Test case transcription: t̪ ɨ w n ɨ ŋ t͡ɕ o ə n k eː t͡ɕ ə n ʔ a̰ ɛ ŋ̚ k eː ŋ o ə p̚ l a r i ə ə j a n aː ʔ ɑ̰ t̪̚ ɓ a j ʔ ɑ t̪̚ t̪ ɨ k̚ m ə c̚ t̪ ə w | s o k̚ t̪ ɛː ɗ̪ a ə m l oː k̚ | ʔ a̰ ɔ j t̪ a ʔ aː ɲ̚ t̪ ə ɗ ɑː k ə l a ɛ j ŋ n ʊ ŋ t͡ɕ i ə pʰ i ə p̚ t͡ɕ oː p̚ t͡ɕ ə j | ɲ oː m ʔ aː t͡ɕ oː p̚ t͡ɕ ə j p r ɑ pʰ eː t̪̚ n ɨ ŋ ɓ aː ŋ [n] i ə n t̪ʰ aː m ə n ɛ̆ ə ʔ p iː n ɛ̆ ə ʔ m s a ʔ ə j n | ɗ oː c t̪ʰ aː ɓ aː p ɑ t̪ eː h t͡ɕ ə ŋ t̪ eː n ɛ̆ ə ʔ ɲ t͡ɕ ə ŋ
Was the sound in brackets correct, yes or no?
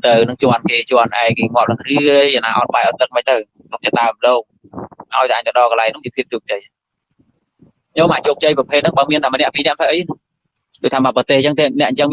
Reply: no